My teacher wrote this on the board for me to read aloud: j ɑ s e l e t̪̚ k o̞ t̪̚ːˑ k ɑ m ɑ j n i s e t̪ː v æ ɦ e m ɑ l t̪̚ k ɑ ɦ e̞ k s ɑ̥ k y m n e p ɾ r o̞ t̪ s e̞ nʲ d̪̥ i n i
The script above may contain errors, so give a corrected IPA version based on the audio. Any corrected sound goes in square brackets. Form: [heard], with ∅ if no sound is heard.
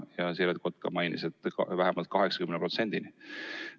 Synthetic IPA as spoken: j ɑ s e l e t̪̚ k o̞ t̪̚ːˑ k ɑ m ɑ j n i s e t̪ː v æ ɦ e m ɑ l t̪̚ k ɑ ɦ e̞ k s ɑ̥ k y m n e p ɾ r o̞ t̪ s e̞ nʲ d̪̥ i n i